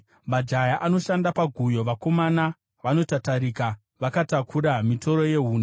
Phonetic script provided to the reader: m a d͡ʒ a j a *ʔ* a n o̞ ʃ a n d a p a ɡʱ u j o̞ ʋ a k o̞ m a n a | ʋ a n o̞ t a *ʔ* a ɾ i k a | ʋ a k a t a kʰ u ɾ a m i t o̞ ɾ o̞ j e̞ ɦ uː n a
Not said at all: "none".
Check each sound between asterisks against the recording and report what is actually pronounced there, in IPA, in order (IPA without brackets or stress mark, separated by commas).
ʔ, t